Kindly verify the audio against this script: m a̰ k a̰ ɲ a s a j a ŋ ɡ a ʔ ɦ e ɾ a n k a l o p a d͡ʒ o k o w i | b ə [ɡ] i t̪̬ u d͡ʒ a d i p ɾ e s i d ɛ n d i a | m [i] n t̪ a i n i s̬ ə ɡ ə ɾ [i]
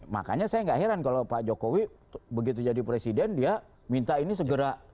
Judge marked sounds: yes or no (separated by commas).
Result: yes, yes, no